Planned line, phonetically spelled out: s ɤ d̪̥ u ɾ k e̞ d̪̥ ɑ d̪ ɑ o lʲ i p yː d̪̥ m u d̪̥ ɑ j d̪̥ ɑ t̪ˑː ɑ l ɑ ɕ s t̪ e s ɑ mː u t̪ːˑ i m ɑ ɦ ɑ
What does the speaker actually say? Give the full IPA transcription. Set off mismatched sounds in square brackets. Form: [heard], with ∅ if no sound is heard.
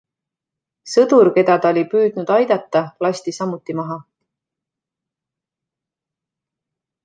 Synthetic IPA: s ɤ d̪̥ u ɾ k e̞ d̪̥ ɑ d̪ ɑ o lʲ i p yː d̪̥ [n] u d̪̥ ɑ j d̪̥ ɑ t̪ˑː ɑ l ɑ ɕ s t̪ [i] s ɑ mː u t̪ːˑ i m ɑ ɦ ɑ